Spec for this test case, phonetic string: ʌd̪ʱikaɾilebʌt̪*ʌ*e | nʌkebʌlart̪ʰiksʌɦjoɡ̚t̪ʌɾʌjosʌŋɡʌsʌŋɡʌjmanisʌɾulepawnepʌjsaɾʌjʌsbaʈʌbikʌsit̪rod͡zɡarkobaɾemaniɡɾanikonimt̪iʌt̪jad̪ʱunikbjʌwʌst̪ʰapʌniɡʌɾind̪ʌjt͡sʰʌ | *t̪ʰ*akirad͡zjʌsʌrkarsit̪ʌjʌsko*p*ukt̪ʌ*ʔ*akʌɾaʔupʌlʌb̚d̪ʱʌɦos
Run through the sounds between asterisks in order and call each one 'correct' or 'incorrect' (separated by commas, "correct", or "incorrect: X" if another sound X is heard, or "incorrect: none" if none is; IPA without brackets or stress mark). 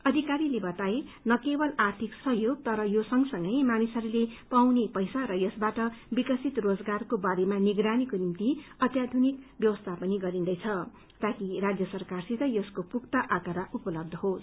incorrect: a, incorrect: t̪, correct, correct